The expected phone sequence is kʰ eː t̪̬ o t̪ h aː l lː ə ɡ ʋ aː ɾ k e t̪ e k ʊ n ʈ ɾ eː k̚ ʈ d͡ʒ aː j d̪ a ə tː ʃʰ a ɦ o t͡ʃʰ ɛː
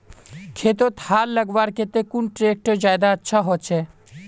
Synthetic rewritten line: kʰ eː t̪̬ o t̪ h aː l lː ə ɡ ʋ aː ɾ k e t̪ e k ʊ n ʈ ɾ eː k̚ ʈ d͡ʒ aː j d̪ a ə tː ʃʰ a ɦ o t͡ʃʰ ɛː